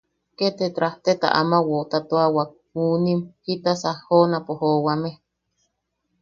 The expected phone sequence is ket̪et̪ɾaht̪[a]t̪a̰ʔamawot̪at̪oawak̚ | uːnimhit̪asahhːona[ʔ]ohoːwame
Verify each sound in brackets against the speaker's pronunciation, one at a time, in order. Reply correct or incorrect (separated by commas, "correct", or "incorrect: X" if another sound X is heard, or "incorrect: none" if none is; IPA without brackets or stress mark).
incorrect: e, incorrect: p